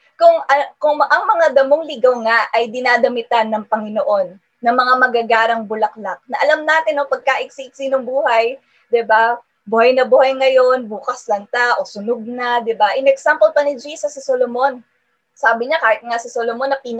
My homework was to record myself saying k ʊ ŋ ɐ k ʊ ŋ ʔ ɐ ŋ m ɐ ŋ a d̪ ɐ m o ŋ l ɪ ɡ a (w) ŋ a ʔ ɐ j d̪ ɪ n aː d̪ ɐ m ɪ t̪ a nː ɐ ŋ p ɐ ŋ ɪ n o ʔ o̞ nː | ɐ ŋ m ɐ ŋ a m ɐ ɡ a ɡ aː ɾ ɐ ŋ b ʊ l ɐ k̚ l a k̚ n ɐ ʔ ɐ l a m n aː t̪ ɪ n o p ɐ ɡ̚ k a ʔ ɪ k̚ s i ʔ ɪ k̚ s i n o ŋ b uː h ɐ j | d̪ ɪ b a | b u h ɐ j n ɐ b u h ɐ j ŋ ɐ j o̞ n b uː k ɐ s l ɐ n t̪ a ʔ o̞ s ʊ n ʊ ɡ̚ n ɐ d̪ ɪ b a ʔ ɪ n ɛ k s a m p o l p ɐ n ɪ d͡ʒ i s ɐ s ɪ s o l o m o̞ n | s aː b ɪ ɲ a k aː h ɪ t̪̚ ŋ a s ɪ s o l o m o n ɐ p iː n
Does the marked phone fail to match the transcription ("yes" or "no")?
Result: no